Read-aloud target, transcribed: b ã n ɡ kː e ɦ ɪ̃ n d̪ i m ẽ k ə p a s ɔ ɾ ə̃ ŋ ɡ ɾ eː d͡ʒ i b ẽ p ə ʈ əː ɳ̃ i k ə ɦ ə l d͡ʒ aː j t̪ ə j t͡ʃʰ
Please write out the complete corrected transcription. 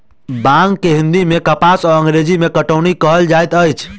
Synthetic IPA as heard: b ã ŋ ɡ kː e ɦ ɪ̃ n d̪ i m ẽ k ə p a s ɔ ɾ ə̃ ŋ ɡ ɾ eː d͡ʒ i m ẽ k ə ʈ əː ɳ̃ i k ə ɦ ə l d͡ʒ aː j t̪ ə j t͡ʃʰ